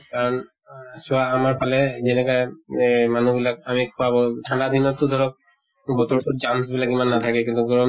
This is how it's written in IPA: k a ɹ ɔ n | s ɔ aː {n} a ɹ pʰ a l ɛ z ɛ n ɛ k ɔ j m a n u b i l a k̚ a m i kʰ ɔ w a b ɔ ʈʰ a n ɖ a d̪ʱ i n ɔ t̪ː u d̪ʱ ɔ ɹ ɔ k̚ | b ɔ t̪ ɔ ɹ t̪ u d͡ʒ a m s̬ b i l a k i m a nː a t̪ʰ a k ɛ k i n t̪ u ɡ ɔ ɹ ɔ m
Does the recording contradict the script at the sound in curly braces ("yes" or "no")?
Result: yes